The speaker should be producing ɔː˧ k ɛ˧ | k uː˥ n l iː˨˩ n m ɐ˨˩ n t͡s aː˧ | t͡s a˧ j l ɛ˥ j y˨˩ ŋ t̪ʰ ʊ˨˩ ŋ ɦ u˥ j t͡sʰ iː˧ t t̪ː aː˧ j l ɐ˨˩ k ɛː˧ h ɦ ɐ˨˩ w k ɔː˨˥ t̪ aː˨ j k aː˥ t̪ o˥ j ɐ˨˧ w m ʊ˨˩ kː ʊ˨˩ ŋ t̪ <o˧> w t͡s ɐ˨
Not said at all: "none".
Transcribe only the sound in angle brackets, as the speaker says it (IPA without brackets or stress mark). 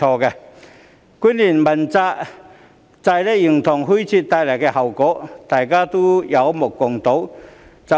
o˨˥